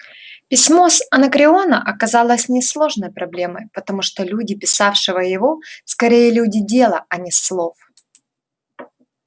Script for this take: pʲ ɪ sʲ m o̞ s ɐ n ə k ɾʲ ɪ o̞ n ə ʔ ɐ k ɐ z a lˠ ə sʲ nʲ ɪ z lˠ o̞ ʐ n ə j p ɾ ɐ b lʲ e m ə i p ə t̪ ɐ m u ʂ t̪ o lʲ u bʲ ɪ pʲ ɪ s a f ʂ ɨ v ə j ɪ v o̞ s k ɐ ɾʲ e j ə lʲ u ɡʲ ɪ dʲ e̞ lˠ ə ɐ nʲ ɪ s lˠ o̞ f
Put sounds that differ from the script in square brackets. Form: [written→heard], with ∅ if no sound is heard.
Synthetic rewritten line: pʲ ɪ sʲ m o̞ s ɐ n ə k ɾʲ ɪ o̞ n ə ʔ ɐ k ɐ z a lˠ ə sʲ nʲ ɪ [z→s] lˠ o̞ ʐ n ə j p ɾ ɐ b lʲ e m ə [i→j] p ə t̪ ɐ m u ʂ t̪ o lʲ u [bʲ→dʲ] ɪ pʲ ɪ s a f ʂ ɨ v ə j ɪ v o̞ s k ɐ ɾʲ e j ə lʲ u [ɡʲ→dʲ] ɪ dʲ e̞ lˠ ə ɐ nʲ ɪ s lˠ o̞ f